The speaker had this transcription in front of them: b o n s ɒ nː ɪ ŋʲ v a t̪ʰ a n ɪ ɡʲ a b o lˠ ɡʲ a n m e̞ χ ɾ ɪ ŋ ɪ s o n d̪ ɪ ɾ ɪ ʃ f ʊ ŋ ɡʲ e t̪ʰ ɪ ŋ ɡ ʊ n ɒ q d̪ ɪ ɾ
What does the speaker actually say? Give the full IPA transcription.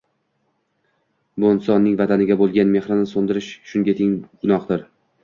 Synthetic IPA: b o n s ɒ nː ɪ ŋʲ v a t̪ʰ a n ɪ ɡʲ a b o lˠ ɡʲ a n m e̞ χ ɾ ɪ n ɪ s o n d̪ ɪ ɾ ɪ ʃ ʃ ʊ ŋ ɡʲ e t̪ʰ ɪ ŋ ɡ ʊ n ɒ q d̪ ɪ ɾ